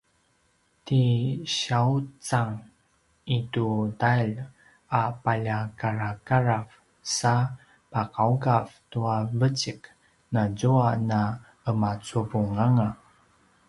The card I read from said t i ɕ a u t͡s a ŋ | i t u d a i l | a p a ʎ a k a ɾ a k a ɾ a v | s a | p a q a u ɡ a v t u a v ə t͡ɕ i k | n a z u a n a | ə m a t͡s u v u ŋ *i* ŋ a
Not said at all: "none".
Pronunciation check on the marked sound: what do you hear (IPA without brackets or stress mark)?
a